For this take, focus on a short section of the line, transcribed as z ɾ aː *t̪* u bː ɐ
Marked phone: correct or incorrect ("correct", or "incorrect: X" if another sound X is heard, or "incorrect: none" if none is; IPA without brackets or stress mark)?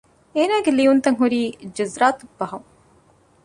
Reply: correct